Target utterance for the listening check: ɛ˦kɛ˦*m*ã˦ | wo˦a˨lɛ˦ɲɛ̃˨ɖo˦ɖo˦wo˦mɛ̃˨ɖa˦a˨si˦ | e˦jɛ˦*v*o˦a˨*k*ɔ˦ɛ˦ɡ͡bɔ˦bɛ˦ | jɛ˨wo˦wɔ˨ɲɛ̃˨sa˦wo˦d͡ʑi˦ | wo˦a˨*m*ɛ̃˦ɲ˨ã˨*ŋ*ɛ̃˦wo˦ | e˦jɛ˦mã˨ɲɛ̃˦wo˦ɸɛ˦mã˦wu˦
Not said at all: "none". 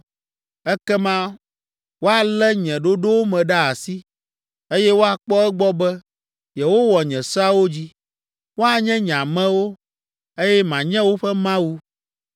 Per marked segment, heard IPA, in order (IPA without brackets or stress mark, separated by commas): m, w, k͡p, ɲ, m